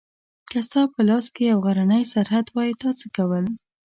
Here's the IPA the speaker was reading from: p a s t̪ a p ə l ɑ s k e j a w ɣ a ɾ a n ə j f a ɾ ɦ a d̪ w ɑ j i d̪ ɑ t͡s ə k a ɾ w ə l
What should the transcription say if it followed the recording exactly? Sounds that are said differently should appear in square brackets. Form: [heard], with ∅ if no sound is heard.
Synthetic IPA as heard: [k] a s t̪ [ɑ] p ə l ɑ s k e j a w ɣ a ɾ a n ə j [s] a ɾ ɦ a d̪ w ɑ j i [t̪] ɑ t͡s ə k a [∅] w ə l